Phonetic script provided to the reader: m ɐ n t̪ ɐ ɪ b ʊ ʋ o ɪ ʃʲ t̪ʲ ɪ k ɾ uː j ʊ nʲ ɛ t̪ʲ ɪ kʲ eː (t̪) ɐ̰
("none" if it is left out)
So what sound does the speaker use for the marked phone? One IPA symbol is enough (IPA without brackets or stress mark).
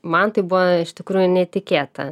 t̪